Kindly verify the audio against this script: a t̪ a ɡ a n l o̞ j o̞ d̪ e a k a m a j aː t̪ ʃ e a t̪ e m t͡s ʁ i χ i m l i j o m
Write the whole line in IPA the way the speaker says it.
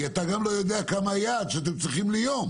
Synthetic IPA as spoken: a t̪ a ɡ a m l o̞ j o̞ d̪ e a k a m a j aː d̪ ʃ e a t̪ e m t͡s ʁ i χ i m l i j o m